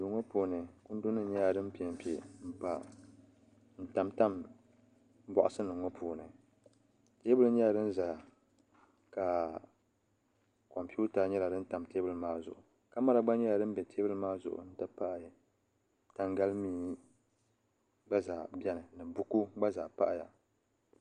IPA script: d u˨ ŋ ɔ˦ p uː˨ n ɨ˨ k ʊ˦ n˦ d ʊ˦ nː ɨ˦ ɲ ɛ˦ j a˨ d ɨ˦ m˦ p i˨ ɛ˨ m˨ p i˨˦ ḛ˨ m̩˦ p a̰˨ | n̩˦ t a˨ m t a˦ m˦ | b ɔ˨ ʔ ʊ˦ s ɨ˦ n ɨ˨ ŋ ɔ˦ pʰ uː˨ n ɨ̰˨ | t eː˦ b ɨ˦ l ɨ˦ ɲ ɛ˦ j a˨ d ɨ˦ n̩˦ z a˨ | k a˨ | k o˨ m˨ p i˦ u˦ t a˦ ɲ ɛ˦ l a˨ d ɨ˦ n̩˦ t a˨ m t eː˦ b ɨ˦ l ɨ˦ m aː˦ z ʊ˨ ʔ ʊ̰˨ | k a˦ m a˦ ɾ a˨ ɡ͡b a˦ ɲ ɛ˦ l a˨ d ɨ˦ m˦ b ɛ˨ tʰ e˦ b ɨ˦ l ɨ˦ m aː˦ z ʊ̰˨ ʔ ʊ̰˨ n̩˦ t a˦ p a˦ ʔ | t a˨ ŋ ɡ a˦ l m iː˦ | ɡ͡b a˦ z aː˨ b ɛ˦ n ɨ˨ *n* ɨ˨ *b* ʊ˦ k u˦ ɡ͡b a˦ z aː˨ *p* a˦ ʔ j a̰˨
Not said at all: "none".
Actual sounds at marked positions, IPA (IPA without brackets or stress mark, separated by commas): n, b, p